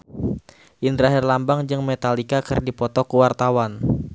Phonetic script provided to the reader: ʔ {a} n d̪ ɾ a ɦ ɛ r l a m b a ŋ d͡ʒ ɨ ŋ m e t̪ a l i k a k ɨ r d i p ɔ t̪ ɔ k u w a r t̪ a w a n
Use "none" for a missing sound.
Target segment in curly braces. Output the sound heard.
i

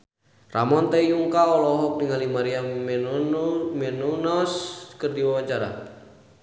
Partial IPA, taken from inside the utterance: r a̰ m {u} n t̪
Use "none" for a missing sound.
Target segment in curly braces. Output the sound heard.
ɔ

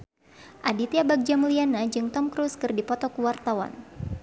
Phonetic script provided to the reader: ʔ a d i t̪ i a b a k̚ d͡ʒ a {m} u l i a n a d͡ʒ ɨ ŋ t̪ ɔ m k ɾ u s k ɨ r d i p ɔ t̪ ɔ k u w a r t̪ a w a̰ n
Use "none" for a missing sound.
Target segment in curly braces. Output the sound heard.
m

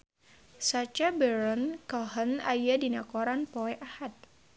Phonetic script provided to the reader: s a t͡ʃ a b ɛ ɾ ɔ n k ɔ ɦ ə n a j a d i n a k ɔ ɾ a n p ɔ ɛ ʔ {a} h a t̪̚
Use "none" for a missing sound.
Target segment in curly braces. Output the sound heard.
a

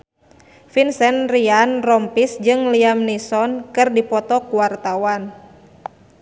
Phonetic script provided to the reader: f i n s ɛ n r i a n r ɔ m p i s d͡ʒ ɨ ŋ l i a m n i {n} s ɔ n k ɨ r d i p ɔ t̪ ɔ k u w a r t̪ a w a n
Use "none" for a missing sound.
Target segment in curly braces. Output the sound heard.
none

